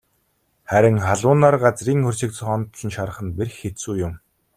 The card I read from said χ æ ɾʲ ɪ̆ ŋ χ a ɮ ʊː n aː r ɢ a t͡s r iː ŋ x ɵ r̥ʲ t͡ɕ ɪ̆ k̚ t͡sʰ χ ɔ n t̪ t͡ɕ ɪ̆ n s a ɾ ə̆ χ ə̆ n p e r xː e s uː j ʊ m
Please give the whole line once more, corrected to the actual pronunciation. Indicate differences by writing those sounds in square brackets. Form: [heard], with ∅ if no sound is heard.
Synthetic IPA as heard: χ æ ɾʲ ɪ̆ ŋ χ a ɮ ʊː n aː r ɢ a t͡s r iː ŋ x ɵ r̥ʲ t͡ɕ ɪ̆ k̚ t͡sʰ χ ɔ n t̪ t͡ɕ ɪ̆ n [ʃ] a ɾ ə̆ χ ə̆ n p e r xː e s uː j ʊ m